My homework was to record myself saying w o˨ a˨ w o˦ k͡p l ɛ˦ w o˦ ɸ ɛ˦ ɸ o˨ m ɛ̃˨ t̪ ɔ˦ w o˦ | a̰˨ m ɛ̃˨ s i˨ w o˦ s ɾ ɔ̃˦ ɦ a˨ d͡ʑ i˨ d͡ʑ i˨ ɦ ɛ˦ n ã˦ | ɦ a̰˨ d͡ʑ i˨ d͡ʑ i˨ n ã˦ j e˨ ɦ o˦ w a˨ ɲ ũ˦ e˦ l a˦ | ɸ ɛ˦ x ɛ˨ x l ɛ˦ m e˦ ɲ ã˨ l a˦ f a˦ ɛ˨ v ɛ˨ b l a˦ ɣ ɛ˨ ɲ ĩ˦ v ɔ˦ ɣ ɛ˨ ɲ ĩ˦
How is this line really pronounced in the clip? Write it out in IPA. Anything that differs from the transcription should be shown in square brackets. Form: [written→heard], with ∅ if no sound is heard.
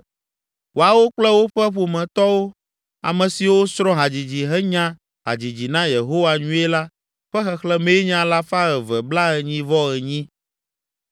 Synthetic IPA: w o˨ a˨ w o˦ k͡p l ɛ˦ w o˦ ɸ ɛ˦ ɸ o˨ m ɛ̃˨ t̪ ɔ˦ w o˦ | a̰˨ m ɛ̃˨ s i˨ w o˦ s ɾ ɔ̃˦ ɦ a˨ d͡ʑ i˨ d͡ʑ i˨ ɦ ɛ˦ [n→ɲ] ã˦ | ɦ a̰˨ d͡ʑ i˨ d͡ʑ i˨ n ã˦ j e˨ ɦ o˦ w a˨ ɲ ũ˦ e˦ l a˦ | ɸ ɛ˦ x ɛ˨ x l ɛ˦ m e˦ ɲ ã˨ l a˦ f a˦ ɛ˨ v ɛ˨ b l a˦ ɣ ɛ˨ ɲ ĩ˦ v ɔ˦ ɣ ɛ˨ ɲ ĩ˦